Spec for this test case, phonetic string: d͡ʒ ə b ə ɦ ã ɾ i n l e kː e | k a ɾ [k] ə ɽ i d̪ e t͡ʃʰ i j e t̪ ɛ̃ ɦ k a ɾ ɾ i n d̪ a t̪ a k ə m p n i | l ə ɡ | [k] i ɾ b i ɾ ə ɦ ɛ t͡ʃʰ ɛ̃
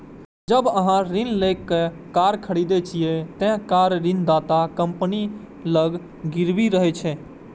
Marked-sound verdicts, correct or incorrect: incorrect: kʰ, incorrect: ɡ

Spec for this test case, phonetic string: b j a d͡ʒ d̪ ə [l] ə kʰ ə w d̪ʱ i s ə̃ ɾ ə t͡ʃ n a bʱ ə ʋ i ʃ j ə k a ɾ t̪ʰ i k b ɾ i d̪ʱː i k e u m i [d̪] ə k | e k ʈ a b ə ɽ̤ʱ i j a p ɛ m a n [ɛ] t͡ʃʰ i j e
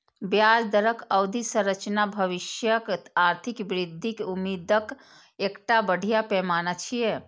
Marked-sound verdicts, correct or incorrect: incorrect: ɾ, correct, incorrect: a

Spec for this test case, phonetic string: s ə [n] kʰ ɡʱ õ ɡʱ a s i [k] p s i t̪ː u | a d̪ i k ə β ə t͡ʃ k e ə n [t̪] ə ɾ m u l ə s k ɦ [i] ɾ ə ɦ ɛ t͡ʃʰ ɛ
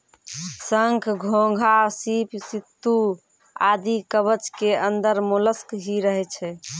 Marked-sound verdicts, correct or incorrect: incorrect: ŋ, incorrect: none, incorrect: d̪, correct

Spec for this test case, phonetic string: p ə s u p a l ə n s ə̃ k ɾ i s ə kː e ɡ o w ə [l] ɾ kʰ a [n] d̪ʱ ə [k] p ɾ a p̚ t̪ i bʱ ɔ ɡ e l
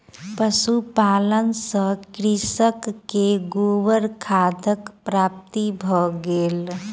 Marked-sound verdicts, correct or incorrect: incorrect: none, incorrect: none, correct

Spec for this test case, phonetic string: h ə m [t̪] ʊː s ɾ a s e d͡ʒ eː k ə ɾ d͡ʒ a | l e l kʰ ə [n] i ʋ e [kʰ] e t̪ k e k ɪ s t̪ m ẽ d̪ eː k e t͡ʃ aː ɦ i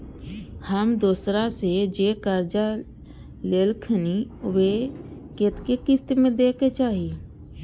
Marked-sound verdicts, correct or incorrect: incorrect: d̪, correct, incorrect: k

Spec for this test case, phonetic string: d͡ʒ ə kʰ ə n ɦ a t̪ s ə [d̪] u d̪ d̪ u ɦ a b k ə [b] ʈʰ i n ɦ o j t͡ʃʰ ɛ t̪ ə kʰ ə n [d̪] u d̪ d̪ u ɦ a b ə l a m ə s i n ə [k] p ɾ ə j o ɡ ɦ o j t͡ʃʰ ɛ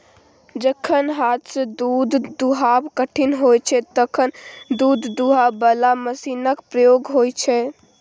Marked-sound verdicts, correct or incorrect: correct, incorrect: none, correct, correct

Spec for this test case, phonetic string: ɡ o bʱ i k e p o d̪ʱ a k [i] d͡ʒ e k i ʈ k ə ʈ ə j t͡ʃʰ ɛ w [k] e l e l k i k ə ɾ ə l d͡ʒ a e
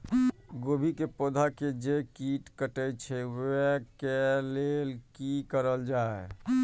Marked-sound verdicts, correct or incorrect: incorrect: e, correct

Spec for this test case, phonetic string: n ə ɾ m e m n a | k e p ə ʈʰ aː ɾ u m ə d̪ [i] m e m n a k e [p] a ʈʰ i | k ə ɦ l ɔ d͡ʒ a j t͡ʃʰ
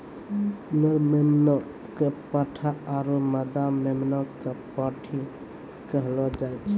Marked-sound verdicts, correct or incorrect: incorrect: a, correct

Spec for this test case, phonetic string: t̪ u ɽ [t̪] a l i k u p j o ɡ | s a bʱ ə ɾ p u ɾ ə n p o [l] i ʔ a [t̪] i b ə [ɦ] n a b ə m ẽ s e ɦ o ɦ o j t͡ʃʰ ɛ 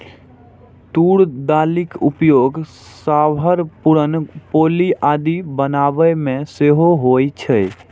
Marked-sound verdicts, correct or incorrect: incorrect: d̪, correct, incorrect: d̪, incorrect: none

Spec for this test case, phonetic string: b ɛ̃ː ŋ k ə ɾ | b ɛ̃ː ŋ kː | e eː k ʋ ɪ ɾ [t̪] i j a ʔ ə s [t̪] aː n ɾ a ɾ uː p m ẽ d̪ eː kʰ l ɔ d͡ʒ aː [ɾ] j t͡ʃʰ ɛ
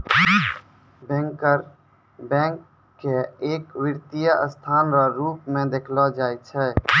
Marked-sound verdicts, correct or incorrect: correct, incorrect: t̪ʰ, incorrect: none

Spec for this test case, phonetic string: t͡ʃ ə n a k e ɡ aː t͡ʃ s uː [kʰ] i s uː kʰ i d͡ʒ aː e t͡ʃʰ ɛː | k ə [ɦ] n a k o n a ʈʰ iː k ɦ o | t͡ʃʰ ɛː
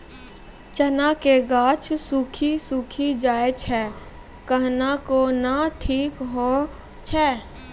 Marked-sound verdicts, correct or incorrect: correct, correct

